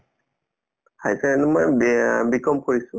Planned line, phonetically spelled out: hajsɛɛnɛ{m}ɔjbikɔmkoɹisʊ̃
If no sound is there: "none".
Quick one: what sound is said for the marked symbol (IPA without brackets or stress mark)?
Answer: m